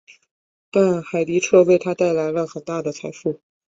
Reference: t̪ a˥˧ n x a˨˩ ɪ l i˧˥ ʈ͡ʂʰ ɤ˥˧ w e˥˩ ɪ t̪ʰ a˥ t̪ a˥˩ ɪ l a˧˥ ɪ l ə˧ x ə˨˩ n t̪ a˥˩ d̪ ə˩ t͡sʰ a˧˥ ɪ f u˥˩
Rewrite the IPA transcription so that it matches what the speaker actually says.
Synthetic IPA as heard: t̪ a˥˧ n x a˨˩ ɪ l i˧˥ ʈ͡ʂʰ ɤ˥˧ w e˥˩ ɪ t̪ʰ a˥ t̪ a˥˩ ɪ l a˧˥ ɪ l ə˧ x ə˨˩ n t̪ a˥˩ d̪ ə˩ t͡sʰ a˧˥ ɪ f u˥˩